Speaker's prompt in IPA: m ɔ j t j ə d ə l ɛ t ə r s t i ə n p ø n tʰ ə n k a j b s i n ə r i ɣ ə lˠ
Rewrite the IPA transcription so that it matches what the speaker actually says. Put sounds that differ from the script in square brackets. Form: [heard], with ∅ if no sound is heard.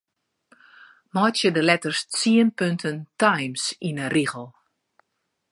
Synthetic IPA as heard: m ɔ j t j ə d ə l ɛ t ə r s [t͡s] i ə n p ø n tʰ ə n [t] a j [m] s i n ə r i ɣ ə lˠ